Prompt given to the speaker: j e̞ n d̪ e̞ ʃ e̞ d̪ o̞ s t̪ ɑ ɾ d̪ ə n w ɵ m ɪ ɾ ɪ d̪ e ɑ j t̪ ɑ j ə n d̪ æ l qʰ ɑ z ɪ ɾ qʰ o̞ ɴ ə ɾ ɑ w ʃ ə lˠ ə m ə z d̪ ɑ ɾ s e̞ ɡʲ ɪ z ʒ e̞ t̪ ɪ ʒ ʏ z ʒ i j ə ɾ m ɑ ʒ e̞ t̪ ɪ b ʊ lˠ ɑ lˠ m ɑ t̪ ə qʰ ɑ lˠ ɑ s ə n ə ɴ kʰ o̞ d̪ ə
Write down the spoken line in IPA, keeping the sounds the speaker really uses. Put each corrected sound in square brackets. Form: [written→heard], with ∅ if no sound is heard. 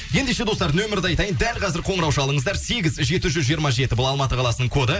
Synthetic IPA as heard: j e̞ n d̪ e̞ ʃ e̞ d̪ o̞ s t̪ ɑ ɾ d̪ ə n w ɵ m ɪ ɾ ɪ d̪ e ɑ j t̪ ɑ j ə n d̪ æ l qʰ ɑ z ɪ ɾ qʰ o̞ ɴ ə ɾ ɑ w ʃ [ə→ɑ] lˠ ə [m→ɴ] ə z d̪ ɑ ɾ s e̞ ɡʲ ɪ z ʒ e̞ t̪ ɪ ʒ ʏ z ʒ i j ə ɾ m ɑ ʒ e̞ t̪ ɪ b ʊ lˠ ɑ lˠ m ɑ t̪ ə qʰ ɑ lˠ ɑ s ə n ə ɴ kʰ o̞ d̪ ə